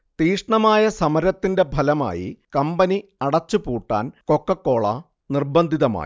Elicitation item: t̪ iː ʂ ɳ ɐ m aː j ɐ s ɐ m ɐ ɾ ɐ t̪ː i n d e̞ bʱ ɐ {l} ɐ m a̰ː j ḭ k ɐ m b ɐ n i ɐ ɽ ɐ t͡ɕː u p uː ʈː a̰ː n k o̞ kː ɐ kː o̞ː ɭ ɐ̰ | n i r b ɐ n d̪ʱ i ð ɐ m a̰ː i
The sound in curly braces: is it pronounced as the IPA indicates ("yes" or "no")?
yes